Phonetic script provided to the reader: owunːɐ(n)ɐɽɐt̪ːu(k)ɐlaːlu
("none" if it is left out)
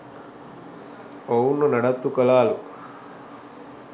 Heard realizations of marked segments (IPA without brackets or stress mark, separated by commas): n, k